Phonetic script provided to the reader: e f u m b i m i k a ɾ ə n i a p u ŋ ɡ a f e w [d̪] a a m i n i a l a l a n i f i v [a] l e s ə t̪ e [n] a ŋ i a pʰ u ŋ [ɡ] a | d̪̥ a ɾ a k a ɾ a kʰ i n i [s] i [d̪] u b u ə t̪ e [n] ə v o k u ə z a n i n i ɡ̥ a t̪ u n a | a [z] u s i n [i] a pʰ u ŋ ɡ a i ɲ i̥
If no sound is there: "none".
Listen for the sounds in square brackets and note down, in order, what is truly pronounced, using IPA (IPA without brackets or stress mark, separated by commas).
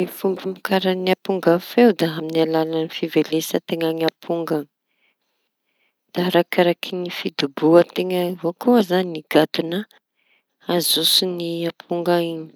d̪, e, ŋ, ɡ, f, d̪, ŋ, z, i